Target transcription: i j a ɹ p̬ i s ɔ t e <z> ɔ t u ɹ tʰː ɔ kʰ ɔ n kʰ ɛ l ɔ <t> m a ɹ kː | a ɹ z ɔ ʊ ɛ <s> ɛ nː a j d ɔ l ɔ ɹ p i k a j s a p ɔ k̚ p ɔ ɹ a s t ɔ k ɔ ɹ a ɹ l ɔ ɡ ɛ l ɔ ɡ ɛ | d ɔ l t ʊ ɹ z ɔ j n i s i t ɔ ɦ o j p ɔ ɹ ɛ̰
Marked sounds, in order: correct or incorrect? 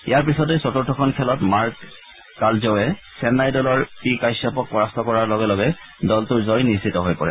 incorrect, correct, correct

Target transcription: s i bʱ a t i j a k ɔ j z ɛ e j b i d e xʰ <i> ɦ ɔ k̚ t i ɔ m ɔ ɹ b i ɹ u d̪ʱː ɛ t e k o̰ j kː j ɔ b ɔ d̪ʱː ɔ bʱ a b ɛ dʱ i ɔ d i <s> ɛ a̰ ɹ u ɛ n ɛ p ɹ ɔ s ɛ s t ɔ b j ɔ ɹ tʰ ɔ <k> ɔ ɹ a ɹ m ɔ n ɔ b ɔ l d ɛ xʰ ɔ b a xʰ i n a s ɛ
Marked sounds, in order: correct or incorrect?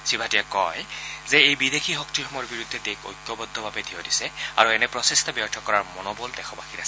correct, correct, correct

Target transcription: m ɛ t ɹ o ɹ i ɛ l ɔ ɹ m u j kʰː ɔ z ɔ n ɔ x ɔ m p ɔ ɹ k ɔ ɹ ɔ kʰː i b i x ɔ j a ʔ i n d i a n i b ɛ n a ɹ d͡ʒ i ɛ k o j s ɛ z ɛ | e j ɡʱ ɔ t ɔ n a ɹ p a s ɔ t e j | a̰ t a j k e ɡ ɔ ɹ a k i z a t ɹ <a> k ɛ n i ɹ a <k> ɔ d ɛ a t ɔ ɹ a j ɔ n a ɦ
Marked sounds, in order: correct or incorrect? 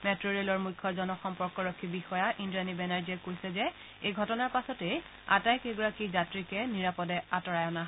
incorrect, incorrect

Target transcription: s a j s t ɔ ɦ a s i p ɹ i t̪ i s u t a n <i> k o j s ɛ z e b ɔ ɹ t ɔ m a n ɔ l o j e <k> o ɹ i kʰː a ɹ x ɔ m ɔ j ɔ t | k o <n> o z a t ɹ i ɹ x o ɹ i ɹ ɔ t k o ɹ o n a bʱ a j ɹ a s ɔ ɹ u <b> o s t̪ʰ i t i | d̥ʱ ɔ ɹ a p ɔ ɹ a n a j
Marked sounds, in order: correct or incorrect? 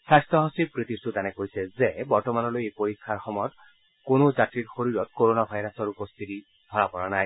incorrect, incorrect, correct, incorrect

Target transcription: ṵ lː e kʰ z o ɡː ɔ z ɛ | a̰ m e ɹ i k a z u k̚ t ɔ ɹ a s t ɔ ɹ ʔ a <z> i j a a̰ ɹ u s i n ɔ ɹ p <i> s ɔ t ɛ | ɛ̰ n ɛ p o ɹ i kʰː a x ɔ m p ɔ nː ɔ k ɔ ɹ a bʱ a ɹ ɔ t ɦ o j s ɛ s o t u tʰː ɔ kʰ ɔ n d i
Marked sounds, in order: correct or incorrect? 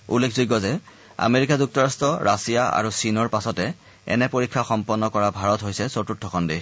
incorrect, incorrect

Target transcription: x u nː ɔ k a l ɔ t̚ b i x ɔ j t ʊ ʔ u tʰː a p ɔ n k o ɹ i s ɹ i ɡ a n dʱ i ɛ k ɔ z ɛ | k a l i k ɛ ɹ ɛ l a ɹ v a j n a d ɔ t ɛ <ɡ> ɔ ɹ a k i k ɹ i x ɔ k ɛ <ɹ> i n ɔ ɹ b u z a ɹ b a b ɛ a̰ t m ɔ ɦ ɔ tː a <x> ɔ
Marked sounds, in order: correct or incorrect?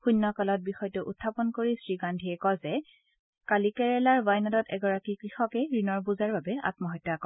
correct, correct, incorrect

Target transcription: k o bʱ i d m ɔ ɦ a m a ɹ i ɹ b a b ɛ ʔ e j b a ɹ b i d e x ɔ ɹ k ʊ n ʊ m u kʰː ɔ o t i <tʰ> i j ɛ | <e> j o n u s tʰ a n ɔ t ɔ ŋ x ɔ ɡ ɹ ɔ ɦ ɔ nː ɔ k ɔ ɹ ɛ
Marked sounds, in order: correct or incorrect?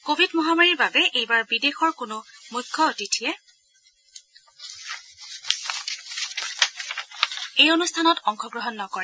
correct, correct

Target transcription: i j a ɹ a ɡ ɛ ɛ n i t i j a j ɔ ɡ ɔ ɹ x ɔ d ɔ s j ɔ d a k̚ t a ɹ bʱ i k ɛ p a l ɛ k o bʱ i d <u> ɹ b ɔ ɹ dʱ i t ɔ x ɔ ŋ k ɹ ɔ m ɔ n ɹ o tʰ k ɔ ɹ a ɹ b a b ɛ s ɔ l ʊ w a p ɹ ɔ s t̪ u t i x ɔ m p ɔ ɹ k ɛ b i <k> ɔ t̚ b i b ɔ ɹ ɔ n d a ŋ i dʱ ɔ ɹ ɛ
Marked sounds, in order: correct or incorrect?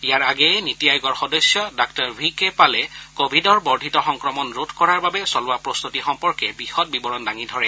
incorrect, incorrect

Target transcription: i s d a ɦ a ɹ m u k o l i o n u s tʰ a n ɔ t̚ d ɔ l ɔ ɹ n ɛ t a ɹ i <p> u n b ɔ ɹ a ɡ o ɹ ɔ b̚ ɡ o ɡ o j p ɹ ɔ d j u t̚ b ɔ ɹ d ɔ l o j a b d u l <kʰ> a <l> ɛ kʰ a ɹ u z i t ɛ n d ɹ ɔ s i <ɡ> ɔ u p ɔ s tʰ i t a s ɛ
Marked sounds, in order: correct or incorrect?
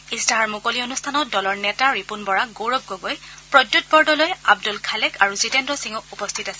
correct, correct, correct, incorrect

